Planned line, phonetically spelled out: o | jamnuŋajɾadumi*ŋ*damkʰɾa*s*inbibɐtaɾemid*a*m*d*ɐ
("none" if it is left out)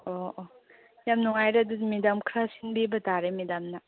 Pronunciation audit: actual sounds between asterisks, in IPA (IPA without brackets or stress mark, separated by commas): none, s, a, n